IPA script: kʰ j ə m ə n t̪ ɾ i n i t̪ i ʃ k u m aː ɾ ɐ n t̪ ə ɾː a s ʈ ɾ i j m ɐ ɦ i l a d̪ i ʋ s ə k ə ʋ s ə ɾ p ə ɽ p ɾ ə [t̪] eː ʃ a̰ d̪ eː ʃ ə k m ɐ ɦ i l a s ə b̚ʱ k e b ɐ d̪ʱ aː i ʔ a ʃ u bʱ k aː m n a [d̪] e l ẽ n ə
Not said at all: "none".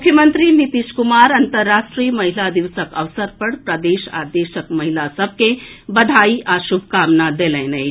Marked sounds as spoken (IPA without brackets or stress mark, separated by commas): d̪, d̪